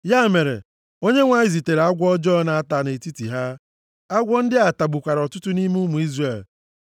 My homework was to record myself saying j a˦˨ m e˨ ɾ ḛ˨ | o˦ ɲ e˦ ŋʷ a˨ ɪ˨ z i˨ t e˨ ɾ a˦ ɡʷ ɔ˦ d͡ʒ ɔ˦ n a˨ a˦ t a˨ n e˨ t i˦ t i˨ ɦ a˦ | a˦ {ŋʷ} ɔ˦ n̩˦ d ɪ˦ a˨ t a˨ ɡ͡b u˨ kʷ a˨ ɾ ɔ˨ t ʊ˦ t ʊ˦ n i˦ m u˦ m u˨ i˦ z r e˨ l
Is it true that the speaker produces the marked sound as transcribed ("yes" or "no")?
no